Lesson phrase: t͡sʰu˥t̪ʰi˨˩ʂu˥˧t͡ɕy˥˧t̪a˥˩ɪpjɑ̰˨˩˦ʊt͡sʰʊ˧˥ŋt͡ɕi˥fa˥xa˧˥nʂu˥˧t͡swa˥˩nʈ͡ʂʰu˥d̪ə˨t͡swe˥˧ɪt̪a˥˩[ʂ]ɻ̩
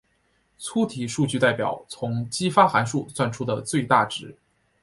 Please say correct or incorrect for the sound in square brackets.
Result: incorrect